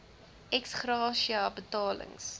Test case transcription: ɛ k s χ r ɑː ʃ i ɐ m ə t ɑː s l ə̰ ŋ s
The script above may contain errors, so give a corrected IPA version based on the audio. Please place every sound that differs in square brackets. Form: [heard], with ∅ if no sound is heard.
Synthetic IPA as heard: ɛ k s χ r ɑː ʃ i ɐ [b] ə t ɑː [∅] l ə̰ ŋ s